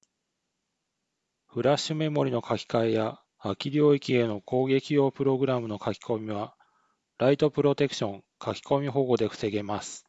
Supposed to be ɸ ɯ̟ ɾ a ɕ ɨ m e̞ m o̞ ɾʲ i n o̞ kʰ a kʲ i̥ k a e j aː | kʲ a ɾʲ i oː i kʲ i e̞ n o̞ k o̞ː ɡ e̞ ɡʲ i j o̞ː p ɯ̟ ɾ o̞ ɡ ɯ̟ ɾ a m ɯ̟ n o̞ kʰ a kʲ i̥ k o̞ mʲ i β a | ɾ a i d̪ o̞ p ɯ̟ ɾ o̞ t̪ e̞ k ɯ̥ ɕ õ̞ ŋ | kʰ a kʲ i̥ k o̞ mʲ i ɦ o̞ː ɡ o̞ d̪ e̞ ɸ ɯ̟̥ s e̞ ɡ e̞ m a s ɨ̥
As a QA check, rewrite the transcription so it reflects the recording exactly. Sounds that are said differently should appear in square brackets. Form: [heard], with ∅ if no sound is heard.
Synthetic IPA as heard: ɸ ɯ̟ ɾ a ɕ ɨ m e̞ m o̞ ɾʲ i n o̞ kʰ a kʲ i̥ k a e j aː | kʲ [i] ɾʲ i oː i kʲ i e̞ n o̞ k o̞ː ɡ e̞ [kʲ] i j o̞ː p ɯ̟ ɾ o̞ ɡ ɯ̟ ɾ a m ɯ̟ n o̞ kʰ a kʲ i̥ k o̞ mʲ i β a | ɾ a i [t̪] o̞ p ɯ̟ ɾ o̞ t̪ e̞ k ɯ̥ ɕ õ̞ ŋ | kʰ a kʲ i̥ k o̞ mʲ i ɦ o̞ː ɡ o̞ d̪ e̞ ɸ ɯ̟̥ s e̞ ɡ e̞ m a s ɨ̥